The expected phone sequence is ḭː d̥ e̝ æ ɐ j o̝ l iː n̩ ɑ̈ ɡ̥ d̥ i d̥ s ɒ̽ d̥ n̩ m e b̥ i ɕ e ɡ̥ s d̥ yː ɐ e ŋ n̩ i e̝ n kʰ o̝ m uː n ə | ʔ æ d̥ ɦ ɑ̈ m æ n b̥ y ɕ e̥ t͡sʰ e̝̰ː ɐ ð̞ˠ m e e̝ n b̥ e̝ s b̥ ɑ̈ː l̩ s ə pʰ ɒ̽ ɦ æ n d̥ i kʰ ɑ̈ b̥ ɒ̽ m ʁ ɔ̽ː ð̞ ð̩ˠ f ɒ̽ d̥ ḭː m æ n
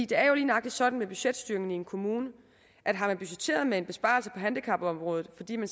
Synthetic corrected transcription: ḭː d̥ e̝ æ ɐ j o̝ l iː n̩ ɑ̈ ɡ̥ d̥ i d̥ s ɒ̽ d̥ n̩ m e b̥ y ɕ e d̥ s d̥ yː ɐ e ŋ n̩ i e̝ n kʰ o̝ m uː n ə | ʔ æ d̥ ɦ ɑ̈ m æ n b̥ y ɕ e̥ t͡sʰ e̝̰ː ɐ ð̞ˠ m e e̝ n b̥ e̝ s b̥ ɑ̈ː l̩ s ə pʰ ɒ̽ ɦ æ n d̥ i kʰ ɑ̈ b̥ ɒ̽ m ʁ ɔ̽ː ð̞ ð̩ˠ f ɒ̽ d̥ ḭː m æ n